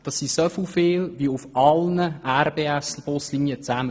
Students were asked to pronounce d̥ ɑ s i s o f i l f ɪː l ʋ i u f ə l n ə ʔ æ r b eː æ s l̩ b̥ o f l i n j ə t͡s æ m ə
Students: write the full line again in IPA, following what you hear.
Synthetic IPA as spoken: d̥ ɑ s i s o f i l f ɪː l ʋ i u f ɑ l n ə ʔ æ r b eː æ s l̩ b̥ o s l i n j ə t͡s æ m ə